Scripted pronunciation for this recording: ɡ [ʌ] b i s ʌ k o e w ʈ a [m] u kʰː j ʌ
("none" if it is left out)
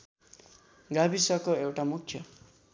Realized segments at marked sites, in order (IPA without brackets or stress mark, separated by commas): a, m